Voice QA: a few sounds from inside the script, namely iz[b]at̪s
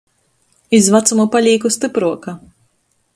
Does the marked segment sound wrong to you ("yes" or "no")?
yes